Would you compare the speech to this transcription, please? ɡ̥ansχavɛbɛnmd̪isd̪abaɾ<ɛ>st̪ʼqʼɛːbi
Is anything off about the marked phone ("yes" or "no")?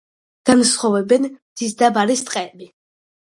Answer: yes